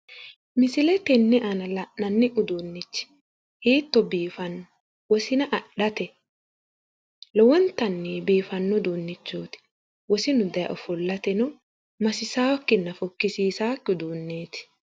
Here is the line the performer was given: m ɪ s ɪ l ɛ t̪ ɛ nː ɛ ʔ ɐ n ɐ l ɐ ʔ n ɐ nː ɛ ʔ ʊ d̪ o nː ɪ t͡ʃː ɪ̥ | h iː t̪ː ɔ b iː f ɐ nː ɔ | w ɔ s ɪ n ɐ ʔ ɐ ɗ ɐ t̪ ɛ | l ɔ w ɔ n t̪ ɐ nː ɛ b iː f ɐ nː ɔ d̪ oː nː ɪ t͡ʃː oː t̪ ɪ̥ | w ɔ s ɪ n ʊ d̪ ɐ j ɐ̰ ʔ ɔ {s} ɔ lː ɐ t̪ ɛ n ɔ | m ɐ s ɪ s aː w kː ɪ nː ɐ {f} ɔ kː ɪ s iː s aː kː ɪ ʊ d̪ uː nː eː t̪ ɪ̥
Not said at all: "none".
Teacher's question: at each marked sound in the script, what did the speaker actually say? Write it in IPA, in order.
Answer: f, f

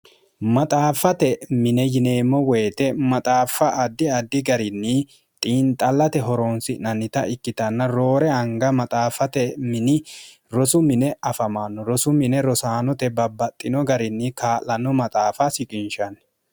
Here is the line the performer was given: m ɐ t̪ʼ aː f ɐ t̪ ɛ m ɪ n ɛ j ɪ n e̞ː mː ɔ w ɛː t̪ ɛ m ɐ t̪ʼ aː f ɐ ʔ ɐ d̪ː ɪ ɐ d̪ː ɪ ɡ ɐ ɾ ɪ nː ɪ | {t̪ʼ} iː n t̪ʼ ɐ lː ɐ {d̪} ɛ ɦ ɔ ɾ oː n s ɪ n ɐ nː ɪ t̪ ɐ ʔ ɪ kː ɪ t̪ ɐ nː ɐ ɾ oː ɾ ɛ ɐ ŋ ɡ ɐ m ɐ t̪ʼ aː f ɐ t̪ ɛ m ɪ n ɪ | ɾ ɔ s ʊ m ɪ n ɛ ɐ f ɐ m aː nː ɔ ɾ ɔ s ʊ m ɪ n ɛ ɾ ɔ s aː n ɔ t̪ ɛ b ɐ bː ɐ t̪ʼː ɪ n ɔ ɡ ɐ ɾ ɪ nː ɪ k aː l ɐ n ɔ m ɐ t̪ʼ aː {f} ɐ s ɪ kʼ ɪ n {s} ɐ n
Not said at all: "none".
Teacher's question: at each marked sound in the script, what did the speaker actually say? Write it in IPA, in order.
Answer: t̪ʼ, t̪, f, ʃ

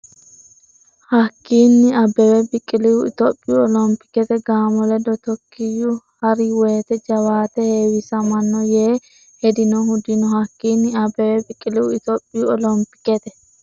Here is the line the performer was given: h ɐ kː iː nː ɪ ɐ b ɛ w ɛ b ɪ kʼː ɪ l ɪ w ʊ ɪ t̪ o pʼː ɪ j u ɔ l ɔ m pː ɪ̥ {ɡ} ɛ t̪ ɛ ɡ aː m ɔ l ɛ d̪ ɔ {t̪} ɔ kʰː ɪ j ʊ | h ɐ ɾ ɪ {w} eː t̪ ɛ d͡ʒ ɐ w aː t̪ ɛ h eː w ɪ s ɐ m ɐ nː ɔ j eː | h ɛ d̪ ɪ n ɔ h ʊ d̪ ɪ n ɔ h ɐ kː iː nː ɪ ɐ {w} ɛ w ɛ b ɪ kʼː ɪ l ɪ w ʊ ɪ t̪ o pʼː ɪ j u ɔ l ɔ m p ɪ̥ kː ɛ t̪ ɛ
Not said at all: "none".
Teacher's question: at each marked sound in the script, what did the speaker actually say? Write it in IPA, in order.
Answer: k, t̪, w, b

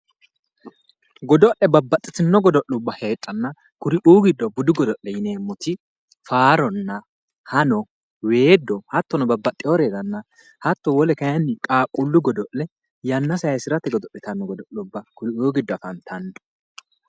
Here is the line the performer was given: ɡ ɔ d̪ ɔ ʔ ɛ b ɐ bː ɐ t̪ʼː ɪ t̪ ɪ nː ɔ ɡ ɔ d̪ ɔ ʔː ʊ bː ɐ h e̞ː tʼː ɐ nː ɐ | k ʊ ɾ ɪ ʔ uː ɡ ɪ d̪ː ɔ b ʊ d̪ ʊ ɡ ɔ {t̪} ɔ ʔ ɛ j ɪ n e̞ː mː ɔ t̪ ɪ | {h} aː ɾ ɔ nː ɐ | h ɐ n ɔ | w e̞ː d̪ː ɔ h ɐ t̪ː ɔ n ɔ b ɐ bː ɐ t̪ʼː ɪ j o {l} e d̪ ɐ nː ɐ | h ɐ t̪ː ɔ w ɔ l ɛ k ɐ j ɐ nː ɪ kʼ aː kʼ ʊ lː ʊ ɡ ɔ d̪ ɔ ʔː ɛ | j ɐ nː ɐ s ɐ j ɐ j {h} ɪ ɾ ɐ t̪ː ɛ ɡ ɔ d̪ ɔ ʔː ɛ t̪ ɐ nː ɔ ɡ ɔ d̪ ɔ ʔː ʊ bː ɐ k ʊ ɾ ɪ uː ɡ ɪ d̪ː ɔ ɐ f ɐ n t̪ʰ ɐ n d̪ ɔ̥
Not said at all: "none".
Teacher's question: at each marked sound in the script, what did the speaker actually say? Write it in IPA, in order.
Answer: d̪, f, ɾ, s

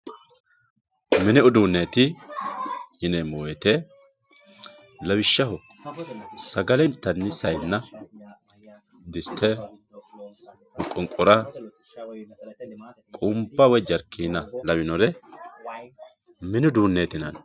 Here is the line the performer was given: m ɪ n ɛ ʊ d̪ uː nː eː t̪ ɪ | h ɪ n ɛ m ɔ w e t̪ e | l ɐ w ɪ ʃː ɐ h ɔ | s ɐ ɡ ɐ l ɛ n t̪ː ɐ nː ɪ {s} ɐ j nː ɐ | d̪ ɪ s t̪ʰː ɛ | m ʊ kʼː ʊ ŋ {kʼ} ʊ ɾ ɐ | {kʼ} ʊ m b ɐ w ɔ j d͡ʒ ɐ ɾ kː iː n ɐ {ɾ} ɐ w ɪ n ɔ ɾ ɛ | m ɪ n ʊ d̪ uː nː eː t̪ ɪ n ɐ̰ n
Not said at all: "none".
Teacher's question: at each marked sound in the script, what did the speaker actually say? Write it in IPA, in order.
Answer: s, kʼ, kʼ, l

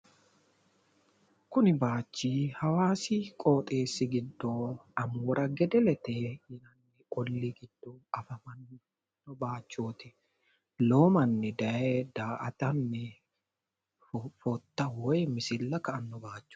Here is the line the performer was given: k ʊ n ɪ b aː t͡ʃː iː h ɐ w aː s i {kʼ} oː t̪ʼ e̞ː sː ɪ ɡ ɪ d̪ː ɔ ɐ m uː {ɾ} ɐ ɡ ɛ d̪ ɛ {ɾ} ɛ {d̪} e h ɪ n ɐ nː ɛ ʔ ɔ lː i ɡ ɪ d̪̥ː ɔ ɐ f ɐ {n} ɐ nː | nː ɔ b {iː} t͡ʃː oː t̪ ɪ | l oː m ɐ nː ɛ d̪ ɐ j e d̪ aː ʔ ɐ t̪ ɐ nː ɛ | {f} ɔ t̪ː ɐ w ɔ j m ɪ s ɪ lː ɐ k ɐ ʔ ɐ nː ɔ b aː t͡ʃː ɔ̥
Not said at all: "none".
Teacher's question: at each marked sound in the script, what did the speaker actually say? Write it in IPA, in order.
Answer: kʼ, ɾ, l, t̪, m, aː, f

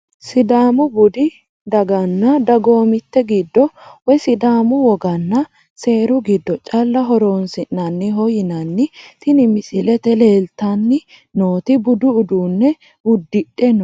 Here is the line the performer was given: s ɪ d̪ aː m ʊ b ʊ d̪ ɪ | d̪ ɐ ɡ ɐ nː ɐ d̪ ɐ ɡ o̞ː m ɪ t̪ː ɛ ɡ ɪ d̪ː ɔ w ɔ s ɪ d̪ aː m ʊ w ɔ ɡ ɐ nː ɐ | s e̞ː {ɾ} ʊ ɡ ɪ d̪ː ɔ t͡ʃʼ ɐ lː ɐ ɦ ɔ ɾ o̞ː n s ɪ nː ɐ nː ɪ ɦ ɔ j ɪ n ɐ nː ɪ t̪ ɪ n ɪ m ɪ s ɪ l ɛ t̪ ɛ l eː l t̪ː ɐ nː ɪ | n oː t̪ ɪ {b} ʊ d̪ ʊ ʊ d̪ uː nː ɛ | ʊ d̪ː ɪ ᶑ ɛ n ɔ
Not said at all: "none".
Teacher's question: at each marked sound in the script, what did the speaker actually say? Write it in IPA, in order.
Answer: ɾ, b

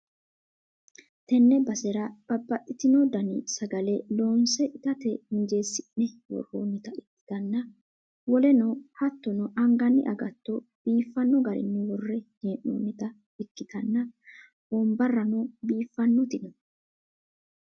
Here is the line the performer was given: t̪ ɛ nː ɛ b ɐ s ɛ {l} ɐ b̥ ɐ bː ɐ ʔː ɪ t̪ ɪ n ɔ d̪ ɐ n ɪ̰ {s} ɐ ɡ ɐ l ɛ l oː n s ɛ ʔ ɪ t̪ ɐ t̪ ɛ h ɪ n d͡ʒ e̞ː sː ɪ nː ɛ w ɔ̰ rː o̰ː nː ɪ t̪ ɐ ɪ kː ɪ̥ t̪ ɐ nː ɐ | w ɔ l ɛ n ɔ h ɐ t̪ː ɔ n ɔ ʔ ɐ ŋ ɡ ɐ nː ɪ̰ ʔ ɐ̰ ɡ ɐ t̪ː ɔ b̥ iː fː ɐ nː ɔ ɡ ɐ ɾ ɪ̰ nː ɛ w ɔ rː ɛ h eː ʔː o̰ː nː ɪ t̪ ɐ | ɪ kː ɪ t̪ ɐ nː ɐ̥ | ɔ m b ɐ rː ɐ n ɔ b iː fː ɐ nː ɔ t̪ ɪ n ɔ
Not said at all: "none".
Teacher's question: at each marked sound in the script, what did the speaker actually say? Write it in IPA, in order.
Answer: ɾ, s

